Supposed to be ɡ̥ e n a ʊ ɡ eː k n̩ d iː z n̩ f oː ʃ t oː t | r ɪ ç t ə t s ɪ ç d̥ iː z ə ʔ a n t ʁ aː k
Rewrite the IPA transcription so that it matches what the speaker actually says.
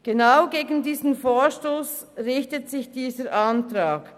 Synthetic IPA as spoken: ɡ̥ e n a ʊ ɡ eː ɡ n̩ d iː z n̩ f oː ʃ t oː s | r ɪ ç t ə t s ɪ ç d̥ iː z ə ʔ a n t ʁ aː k